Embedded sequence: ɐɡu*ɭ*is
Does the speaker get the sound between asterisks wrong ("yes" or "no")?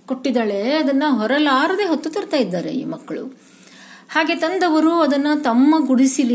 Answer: yes